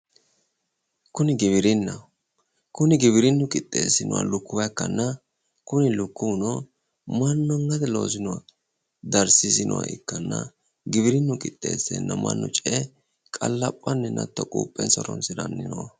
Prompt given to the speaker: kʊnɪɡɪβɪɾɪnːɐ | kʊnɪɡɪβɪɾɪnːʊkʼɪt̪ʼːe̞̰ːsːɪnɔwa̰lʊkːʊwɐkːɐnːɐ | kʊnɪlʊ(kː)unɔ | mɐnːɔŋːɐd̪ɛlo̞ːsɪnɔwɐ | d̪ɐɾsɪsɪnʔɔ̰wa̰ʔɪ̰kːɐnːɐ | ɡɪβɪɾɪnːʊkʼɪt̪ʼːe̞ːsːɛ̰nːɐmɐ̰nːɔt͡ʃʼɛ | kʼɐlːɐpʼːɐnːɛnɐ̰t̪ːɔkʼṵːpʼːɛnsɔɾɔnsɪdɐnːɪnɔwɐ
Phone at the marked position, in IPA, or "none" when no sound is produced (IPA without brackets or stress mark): kː